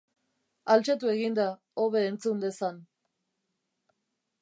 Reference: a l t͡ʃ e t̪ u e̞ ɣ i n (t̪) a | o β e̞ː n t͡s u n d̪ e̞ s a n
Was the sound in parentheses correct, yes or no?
no